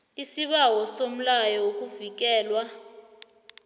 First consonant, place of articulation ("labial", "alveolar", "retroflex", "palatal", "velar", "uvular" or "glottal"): alveolar